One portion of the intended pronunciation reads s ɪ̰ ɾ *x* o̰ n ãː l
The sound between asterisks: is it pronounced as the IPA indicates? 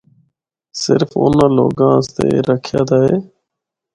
no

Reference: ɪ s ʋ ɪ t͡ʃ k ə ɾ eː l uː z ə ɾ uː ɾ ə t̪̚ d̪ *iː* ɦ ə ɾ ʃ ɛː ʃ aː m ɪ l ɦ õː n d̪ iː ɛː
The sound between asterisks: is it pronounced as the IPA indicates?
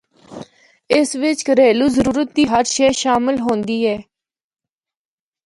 yes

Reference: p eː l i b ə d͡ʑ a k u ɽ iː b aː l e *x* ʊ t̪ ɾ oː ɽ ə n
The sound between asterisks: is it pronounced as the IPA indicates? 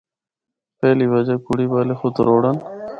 yes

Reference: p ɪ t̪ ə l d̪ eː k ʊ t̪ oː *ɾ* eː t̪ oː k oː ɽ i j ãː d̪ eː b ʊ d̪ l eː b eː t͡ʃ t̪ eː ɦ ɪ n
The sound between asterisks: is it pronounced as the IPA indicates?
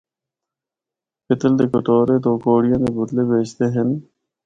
yes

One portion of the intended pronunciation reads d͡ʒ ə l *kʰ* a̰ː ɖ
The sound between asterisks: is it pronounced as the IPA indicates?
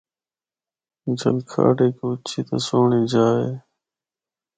yes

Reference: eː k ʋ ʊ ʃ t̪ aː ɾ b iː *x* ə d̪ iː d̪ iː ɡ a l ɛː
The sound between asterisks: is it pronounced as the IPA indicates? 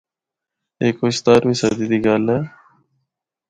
no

